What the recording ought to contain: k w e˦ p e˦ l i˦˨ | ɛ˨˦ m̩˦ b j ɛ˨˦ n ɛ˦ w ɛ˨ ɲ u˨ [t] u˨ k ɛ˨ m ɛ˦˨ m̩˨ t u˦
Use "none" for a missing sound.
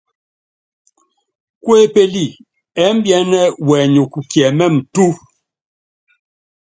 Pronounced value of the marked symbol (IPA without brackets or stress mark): k